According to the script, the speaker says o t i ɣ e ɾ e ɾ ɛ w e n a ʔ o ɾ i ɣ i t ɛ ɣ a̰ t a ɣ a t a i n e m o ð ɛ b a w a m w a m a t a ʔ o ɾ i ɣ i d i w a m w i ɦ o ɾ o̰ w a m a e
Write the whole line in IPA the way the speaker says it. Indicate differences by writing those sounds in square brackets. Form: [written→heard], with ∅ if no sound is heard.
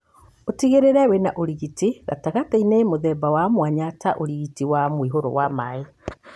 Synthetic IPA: o t i ɣ e ɾ e ɾ ɛ w e n a ʔ o ɾ i ɣ i t [ɛ→i] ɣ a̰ t a ɣ a t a i n e m o ð ɛ b a w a m w a [m→ɲ] a t a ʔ o ɾ i ɣ i [d→t] i w a m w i ɦ o ɾ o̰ w a m a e